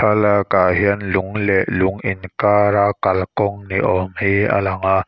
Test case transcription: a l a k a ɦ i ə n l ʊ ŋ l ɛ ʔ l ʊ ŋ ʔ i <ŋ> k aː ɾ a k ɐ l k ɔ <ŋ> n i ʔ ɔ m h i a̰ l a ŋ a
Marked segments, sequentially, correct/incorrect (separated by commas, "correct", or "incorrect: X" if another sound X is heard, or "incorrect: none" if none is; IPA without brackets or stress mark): incorrect: n, correct